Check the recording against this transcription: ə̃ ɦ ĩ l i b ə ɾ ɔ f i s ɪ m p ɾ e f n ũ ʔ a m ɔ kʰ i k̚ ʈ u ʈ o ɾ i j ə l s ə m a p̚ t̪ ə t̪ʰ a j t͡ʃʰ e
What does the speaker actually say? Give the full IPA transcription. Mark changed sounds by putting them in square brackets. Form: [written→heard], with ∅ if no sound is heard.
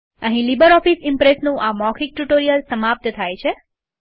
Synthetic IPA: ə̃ ɦ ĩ l i b ə ɾ ɔ f i s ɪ m p ɾ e [f→s] n ũ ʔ a m ɔ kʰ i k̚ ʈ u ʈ o ɾ i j ə l s ə m a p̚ t̪ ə t̪ʰ a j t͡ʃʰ e